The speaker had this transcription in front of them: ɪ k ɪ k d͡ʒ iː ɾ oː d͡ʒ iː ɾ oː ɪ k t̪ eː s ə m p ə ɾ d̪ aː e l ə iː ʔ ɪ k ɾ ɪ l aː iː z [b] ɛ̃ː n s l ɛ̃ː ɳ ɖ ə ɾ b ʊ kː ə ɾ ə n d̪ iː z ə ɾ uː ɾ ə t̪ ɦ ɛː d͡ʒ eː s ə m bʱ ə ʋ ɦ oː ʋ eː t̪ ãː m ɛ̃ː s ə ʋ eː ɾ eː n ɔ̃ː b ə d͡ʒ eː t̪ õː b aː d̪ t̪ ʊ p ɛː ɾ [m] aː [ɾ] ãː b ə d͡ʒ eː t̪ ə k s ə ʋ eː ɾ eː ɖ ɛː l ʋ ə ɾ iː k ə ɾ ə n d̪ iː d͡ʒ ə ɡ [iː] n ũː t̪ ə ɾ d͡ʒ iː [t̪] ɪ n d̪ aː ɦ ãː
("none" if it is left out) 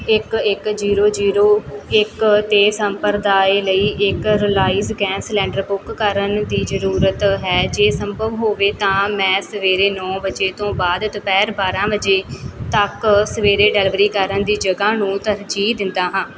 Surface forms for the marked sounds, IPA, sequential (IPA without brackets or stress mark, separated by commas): ɡ, b, ɾ, aː, d̪